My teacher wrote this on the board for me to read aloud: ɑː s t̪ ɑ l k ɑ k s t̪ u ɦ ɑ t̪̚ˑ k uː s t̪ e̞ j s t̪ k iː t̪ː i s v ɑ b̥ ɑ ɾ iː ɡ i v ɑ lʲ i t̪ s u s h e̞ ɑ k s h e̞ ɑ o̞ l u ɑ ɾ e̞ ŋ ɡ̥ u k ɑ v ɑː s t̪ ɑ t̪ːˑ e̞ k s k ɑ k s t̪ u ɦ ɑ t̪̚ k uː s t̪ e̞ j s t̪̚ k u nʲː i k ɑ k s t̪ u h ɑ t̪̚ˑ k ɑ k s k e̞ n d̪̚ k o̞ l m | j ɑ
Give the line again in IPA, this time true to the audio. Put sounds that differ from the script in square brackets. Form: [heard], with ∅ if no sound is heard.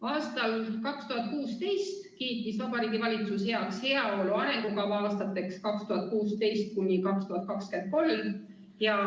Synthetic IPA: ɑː s t̪ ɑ l k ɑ k s t̪ u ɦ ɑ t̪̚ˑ k uː s t̪ e̞ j s t̪ k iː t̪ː i s v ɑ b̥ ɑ ɾ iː ɡ i v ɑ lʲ i t̪ s u s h e̞ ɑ k s h e̞ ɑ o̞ l u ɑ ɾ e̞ ŋ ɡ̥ u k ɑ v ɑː s t̪ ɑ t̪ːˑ e̞ k s k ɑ k s t̪ u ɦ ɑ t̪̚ k uː s t̪ e̞ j s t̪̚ k u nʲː i k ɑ k s t̪ u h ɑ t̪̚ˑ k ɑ k s k e̞ n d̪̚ k o̞ l m | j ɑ

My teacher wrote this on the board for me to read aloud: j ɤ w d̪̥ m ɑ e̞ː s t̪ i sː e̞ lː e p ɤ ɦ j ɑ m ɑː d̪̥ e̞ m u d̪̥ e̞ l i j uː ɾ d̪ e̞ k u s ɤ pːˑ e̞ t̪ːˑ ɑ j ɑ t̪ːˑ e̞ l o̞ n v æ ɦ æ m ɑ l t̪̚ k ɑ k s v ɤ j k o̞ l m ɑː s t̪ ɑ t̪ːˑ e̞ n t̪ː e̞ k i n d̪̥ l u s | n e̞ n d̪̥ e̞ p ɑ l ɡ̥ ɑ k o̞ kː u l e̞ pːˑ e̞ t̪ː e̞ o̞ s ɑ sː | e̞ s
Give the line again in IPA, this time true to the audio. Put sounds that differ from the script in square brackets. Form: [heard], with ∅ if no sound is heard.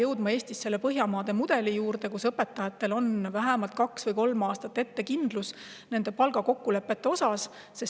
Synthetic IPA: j ɤ w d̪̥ m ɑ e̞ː s t̪ i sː e̞ lː e p ɤ ɦ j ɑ m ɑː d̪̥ e̞ m u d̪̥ e̞ l i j uː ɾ d̪ e̞ k u s ɤ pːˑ e̞ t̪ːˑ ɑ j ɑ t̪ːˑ e̞ l o̞ n v æ ɦ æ m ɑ l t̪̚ k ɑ k s v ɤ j k o̞ l m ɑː s t̪ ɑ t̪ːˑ e̞ [∅] t̪ː e̞ k i n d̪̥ l u s | n e̞ n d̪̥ e̞ p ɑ l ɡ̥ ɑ k o̞ kː u l e̞ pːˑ e̞ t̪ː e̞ o̞ s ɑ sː | e̞ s

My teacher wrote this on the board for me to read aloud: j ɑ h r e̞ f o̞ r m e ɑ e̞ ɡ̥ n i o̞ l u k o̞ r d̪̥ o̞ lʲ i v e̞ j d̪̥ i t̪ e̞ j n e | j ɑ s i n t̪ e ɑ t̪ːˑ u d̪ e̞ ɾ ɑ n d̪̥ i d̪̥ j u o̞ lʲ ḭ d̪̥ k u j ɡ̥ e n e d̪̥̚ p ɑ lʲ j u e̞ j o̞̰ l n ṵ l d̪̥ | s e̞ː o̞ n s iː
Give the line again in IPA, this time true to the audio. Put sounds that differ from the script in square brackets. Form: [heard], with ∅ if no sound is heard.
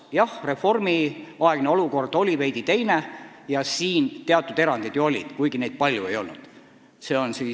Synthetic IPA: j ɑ h r e̞ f o̞ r m [i] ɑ e̞ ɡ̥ n [e] o̞ l u k o̞ r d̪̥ o̞ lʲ i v e̞ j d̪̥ i t̪ e̞ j n e | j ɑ s [iː] n t̪ e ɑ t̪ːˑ u d̪ e̞ ɾ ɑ n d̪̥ i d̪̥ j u o̞ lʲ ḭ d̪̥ k u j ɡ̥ [i] n e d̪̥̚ p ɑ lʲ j u e̞ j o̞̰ l n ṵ [∅] d̪̥ | s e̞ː o̞ n s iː

